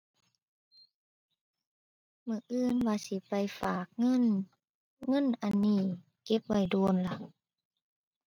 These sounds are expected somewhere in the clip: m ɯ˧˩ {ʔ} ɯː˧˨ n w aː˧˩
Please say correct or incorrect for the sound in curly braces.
correct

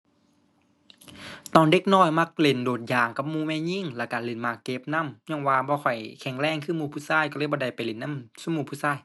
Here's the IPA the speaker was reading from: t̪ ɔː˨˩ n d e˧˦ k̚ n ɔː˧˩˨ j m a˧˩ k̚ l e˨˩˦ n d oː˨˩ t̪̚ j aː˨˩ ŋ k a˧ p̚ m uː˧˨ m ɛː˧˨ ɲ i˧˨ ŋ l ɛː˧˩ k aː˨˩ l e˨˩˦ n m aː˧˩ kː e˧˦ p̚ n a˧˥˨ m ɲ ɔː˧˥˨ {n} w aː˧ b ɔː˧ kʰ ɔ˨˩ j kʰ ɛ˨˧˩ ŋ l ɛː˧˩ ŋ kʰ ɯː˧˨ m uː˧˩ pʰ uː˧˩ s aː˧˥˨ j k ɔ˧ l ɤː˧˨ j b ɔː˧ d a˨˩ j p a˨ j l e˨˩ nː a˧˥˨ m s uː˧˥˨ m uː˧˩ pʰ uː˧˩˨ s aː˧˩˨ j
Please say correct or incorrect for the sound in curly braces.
incorrect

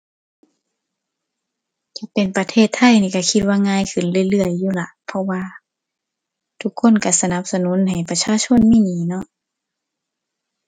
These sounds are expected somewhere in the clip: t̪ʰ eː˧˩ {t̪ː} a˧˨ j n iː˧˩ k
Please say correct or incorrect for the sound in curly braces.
incorrect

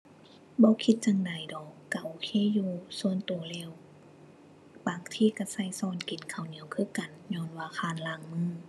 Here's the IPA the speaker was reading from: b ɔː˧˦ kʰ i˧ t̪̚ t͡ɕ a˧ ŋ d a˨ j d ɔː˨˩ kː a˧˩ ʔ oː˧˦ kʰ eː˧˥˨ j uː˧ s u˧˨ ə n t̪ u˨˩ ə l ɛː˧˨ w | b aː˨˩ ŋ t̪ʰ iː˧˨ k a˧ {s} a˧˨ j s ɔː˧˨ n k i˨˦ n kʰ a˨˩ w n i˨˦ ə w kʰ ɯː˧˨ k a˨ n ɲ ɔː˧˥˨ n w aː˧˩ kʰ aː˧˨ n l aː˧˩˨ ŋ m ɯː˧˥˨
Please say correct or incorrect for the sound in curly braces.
correct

